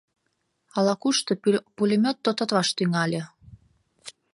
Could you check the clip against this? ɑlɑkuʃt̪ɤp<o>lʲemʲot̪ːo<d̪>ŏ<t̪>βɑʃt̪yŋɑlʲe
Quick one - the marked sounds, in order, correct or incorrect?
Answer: incorrect, incorrect, correct

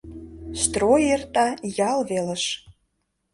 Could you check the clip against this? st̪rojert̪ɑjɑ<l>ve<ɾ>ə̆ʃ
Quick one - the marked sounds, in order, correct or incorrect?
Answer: correct, incorrect

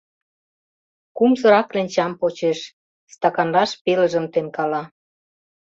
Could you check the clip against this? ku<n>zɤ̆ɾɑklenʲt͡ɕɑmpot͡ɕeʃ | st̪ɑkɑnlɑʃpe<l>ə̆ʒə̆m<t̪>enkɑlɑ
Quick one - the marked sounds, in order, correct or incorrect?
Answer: incorrect, correct, correct

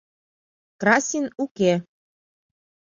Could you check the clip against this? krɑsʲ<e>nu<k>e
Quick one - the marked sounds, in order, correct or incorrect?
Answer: incorrect, correct

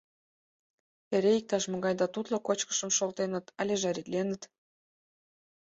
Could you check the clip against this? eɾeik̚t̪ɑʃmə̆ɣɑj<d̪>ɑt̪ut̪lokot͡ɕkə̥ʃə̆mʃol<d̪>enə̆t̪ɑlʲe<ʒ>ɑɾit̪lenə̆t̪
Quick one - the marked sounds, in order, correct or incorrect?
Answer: correct, incorrect, correct

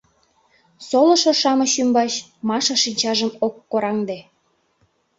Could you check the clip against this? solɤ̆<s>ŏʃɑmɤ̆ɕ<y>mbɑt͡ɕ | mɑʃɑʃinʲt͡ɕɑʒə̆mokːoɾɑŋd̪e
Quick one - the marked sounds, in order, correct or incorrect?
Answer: incorrect, correct

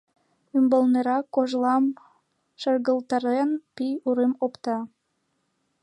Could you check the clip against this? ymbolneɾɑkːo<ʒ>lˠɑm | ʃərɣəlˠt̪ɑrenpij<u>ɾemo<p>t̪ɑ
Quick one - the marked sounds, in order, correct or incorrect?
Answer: correct, correct, correct

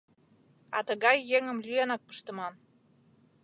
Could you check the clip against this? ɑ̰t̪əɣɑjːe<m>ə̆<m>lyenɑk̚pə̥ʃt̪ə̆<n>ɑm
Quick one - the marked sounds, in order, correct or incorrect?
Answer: incorrect, correct, incorrect

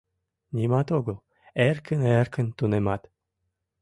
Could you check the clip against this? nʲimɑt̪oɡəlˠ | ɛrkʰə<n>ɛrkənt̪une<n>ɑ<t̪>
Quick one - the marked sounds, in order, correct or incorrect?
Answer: correct, incorrect, correct

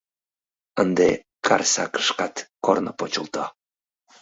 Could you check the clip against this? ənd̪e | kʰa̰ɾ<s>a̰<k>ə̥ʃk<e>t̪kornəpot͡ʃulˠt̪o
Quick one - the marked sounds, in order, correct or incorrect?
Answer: correct, correct, incorrect

